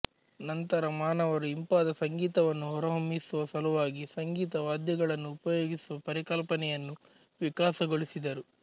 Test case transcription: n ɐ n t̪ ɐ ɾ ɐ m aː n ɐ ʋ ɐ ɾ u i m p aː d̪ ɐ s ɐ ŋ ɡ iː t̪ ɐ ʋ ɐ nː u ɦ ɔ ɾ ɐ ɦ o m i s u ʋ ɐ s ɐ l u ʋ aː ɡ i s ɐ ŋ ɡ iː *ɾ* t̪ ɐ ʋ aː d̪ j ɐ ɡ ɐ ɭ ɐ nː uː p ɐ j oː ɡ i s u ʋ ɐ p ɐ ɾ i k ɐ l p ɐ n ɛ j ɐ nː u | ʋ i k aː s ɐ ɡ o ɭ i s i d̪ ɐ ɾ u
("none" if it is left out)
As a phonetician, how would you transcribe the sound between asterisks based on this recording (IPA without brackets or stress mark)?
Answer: none